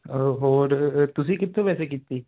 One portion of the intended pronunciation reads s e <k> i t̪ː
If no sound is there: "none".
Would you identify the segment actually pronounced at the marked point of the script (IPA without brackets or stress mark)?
k